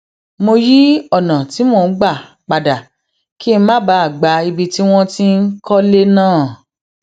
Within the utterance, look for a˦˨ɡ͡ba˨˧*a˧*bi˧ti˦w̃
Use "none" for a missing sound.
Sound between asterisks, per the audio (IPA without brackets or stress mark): i˧